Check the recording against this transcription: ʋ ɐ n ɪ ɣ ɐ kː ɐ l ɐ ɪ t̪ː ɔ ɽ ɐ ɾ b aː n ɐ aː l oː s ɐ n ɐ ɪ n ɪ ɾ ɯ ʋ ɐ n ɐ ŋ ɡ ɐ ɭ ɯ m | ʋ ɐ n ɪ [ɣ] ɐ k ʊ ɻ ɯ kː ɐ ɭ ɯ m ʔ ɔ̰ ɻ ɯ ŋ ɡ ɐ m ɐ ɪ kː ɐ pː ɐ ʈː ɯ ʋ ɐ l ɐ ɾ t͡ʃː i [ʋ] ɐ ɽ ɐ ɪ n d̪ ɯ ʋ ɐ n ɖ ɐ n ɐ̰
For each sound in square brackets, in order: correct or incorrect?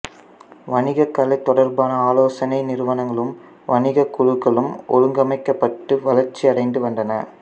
correct, incorrect: none

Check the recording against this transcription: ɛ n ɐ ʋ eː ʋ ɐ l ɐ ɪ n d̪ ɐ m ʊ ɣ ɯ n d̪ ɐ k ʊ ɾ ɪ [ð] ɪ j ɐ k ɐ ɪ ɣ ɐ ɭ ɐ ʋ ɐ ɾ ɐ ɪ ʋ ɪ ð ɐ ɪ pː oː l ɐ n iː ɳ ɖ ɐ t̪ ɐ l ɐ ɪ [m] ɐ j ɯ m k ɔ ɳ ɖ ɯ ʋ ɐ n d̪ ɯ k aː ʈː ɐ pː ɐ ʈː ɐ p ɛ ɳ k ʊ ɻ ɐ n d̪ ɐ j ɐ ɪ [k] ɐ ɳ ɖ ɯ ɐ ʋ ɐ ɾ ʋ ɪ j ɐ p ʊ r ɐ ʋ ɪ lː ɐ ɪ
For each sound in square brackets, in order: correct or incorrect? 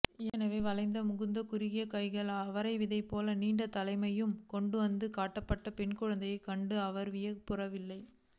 incorrect: ɣ, correct, correct

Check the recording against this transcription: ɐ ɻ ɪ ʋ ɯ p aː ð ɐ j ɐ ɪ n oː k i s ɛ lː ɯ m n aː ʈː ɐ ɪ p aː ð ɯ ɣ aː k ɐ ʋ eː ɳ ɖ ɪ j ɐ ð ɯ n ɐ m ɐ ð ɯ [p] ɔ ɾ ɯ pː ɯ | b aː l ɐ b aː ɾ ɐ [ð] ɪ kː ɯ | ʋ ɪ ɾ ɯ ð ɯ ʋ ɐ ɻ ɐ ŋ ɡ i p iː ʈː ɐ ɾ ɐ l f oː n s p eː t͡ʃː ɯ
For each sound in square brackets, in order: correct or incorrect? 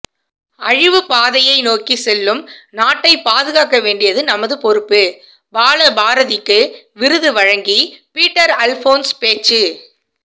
correct, correct

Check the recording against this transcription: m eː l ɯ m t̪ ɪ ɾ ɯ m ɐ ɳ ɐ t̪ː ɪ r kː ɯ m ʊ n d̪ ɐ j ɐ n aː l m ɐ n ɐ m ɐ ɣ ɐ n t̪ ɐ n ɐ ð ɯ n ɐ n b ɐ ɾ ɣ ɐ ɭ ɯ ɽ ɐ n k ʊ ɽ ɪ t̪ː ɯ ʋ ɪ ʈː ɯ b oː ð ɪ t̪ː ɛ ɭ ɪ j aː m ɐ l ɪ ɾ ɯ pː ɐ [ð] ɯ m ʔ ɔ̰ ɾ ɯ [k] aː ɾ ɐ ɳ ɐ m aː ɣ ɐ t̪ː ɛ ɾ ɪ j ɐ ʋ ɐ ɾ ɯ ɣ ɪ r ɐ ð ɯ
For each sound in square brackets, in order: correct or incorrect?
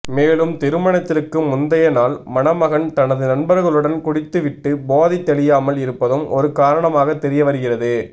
correct, correct

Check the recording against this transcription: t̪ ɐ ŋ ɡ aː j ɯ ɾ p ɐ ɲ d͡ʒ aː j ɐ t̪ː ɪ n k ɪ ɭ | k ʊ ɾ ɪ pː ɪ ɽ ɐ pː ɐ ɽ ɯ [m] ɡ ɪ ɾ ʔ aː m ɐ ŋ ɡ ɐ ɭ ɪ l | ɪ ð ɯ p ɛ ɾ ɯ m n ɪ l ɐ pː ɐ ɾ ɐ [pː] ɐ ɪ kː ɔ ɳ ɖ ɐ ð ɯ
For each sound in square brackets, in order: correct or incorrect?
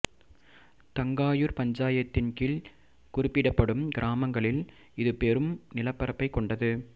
correct, correct

